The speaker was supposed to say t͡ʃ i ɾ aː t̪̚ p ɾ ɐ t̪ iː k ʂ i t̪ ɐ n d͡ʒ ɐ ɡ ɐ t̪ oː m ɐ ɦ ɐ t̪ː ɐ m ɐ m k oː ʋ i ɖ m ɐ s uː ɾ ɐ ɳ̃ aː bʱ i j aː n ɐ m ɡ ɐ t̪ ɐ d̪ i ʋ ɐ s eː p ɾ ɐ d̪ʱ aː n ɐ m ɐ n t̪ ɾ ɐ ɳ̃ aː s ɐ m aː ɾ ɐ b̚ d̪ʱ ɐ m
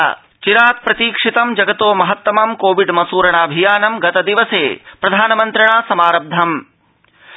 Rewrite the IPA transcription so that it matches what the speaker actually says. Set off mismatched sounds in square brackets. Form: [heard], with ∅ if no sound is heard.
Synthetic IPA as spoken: t͡ʃ i ɾ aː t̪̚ p ɾ ɐ t̪ iː k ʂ i t̪ ɐ [m] d͡ʒ ɐ ɡ ɐ t̪ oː m ɐ ɦ ɐ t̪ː ɐ m ɐ m k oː ʋ i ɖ m ɐ s uː ɾ ɐ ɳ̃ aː bʱ i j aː n ɐ m ɡ ɐ t̪ ɐ d̪ i ʋ ɐ s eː p ɾ ɐ d̪ʱ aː n ɐ m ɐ n t̪ ɾ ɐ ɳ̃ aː s ɐ m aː ɾ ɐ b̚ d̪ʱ ɐ m